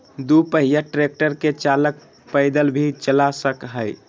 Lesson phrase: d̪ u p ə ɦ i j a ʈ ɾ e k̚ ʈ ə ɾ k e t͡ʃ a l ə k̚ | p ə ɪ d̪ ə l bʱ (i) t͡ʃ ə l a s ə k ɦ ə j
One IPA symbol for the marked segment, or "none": i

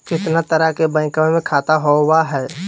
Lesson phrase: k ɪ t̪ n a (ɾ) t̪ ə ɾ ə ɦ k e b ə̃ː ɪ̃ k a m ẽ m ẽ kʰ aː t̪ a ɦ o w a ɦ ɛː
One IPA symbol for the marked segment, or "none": none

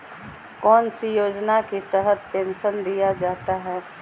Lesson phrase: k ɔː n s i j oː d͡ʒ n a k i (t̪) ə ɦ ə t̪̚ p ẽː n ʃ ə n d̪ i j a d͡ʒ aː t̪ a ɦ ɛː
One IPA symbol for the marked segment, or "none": t̪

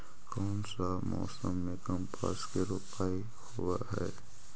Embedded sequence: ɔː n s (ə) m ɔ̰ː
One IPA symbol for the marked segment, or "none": a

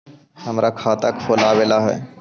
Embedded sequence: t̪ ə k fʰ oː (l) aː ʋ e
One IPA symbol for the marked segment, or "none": l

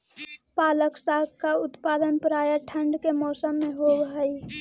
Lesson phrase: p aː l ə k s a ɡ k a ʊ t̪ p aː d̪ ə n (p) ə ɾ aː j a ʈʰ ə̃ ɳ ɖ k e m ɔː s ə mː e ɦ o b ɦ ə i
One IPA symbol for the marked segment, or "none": p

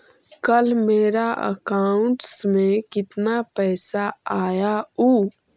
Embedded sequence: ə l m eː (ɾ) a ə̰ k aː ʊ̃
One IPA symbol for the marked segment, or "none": ɾ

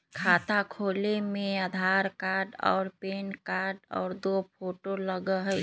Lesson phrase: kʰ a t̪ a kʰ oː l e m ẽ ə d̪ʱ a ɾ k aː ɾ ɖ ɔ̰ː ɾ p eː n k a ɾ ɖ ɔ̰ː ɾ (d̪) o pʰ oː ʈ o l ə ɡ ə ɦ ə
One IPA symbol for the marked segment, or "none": d̪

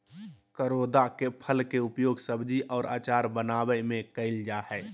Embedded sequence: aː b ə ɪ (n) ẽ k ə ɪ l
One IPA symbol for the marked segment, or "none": m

